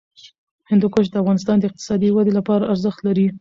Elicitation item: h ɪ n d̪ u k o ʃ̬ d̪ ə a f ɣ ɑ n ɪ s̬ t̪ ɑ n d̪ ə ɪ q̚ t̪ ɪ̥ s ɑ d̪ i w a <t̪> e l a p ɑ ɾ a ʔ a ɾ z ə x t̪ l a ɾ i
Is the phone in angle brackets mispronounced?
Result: yes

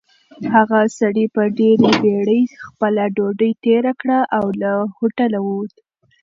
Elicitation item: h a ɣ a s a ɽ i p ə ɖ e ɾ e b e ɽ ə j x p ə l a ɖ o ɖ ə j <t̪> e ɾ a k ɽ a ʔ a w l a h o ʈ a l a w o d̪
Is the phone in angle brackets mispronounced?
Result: no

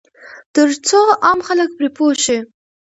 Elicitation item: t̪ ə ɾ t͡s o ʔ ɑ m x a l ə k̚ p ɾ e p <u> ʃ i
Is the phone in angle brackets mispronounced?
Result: yes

